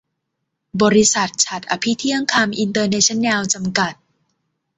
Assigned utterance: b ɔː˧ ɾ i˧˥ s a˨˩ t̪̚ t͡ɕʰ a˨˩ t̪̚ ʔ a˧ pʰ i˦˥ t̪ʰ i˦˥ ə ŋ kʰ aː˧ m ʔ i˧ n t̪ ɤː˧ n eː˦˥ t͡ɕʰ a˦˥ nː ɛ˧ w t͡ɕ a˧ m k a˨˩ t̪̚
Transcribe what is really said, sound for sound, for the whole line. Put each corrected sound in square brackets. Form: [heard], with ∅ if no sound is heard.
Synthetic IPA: b ɔː˧ ɾ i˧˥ s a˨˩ t̪̚ t͡ɕʰ a˨˩ t̪̚ ʔ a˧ pʰ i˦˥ t̪ʰ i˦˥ ə ŋ kʰ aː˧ m ʔ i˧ n t̪ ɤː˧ n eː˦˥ t͡ɕʰ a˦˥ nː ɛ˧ w t͡ɕ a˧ m k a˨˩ t̪̚